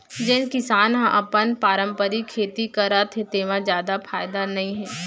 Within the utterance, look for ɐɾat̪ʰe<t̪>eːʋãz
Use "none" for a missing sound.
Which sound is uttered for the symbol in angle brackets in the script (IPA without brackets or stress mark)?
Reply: t̪